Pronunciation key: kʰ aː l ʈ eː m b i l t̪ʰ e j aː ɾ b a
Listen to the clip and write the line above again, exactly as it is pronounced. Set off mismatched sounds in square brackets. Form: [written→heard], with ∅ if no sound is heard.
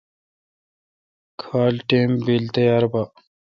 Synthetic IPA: kʰ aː l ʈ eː m b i l [t̪ʰ→t̪] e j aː ɾ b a

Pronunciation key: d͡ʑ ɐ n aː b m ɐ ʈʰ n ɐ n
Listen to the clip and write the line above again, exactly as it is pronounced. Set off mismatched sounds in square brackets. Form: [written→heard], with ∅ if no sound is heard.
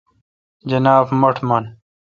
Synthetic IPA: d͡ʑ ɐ n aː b m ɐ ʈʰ [n→m] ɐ n

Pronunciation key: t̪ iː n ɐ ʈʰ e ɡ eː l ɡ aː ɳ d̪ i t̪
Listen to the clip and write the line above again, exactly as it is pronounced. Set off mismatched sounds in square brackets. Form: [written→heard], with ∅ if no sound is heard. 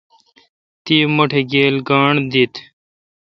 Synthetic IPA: t̪ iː [n→m] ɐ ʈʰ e ɡ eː l ɡ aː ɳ d̪ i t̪

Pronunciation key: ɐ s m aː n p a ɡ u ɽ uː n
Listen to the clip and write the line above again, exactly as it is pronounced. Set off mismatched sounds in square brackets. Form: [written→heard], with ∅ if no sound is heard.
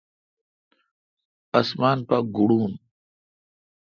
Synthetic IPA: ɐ s m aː n p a ɡ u ɽ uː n

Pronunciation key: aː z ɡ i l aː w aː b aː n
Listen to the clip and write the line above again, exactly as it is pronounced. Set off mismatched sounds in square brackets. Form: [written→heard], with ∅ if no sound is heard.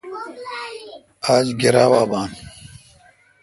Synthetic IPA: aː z ɡ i [l→ɾ] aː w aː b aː n

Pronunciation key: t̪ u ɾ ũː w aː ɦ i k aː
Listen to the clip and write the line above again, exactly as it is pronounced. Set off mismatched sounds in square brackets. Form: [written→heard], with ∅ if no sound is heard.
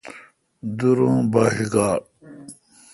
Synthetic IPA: [t̪→d̪] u ɾ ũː [w→b] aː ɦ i [k→ɡ] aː

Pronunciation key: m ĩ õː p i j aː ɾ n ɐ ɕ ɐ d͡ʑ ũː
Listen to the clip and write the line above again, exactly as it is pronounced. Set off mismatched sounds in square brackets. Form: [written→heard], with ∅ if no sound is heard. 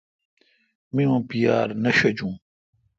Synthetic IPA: m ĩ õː p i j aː ɾ n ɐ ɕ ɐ d͡ʑ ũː

